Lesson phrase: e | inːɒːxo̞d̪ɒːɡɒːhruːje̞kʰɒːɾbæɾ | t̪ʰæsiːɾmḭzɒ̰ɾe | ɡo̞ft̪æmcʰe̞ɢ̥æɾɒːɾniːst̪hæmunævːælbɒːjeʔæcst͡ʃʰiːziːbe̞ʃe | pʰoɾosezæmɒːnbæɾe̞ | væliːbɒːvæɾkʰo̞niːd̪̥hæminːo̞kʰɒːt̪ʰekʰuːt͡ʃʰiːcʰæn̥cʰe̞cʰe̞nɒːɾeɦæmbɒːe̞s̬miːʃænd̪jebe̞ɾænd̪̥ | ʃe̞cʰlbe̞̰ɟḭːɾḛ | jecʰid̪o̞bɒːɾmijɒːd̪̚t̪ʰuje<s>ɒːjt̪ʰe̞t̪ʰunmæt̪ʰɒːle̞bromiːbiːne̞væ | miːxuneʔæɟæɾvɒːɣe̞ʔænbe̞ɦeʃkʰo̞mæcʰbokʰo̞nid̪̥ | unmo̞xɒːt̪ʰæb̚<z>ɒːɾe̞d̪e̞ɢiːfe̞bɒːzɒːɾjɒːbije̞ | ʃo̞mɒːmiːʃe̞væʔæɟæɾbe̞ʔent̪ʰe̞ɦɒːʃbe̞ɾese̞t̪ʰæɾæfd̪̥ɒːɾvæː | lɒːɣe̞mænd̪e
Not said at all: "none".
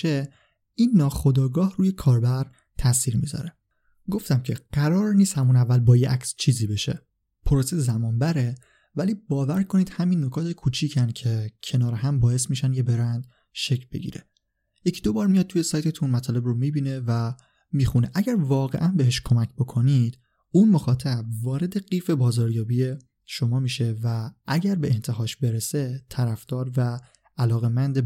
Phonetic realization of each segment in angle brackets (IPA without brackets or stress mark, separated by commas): s, v